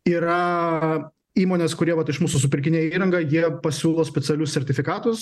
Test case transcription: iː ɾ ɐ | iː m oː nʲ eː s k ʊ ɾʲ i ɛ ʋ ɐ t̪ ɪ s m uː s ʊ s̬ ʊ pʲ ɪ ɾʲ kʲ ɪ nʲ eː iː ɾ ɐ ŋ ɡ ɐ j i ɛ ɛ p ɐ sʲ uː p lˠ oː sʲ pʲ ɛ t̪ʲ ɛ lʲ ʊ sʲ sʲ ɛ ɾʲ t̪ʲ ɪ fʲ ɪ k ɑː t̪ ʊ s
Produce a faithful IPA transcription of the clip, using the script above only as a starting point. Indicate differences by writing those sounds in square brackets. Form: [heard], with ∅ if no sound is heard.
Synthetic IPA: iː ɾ ɐ | iː m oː nʲ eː s k ʊ ɾʲ i ɛ ʋ ɐ t̪ ɪ [ʃ] m uː s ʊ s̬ ʊ pʲ ɪ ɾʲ kʲ ɪ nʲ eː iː ɾ ɐ ŋ ɡ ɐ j i ɛ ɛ p ɐ sʲ uː [∅] lˠ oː sʲ pʲ ɛ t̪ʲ ɛ lʲ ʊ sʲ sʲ ɛ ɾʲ t̪ʲ ɪ fʲ ɪ k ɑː t̪ ʊ s